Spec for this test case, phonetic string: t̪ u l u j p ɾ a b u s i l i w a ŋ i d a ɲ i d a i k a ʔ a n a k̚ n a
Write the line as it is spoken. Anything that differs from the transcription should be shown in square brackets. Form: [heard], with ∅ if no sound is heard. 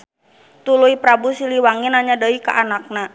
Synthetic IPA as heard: t̪ u l u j p ɾ a b u s i l i w a ŋ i [n] a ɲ [a] d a i k a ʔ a n a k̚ n a